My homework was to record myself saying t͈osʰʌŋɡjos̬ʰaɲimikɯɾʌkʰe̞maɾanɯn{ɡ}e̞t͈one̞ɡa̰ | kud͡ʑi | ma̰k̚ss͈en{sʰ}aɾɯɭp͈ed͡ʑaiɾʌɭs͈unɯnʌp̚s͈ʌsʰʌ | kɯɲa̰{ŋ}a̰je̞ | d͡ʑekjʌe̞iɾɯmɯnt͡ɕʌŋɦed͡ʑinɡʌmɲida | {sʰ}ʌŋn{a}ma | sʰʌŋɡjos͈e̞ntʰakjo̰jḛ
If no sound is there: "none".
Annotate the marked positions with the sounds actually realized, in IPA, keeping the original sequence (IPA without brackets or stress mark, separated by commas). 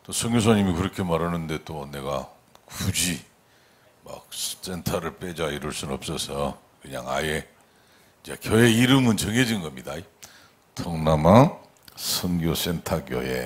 d, tʰ, ŋ, tʰ, a